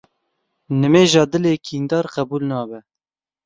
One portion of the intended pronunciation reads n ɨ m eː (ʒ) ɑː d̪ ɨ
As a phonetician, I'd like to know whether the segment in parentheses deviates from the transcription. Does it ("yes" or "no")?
no